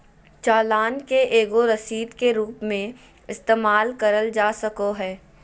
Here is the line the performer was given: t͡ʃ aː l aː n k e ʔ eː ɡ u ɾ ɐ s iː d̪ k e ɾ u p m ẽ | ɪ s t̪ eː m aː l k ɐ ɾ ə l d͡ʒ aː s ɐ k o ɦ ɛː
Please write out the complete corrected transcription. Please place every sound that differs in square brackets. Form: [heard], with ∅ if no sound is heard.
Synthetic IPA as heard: t͡ʃ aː l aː n k e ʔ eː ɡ [o] ɾ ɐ s iː d̪ k e ɾ [uː] p m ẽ | ɪ s t̪ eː m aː l k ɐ ɾ ə l d͡ʒ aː s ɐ k o ɦ ɛː